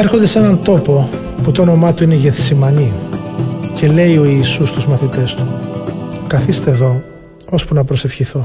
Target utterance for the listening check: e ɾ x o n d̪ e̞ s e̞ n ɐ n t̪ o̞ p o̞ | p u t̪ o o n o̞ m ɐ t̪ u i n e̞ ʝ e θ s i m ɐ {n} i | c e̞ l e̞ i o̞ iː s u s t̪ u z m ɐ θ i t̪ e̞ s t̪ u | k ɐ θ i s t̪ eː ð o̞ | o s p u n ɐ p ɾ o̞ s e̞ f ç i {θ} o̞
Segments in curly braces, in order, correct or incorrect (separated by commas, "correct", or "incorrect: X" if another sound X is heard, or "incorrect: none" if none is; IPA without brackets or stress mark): correct, correct